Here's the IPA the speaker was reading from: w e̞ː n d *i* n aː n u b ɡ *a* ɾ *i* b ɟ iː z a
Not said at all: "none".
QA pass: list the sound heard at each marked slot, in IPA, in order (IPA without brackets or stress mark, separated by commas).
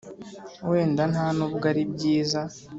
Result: a, a, i